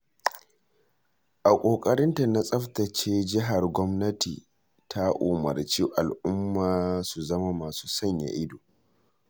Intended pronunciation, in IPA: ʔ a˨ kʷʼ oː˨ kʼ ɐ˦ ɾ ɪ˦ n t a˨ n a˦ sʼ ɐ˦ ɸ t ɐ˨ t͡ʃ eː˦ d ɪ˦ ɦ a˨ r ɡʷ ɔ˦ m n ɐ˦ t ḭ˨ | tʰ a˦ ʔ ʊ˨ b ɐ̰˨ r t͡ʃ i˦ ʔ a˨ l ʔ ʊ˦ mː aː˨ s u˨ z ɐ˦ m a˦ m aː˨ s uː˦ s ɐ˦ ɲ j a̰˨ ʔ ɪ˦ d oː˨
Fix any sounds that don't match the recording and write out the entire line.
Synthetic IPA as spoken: ʔ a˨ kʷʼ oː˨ kʼ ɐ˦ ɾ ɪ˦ n t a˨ n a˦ sʼ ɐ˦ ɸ t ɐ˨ t͡ʃ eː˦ d͡ʒ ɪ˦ ɦ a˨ r ɡʷ ɔ˦ m n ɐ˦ t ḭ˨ | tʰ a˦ ʔ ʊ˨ m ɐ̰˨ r t͡ʃ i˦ ʔ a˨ l ʔ ʊ˦ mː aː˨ s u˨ z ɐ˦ m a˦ m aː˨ s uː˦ s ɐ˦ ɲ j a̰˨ ʔ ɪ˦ d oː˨